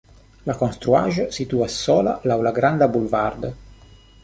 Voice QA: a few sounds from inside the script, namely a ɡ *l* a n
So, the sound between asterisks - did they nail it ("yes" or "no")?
no